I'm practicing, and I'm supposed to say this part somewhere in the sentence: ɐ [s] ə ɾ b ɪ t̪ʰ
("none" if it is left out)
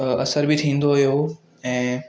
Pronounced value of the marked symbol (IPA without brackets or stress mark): s